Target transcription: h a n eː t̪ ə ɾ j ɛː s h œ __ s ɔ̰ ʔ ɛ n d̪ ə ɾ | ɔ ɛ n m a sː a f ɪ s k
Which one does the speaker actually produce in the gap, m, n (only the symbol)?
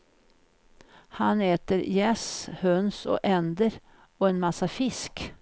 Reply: n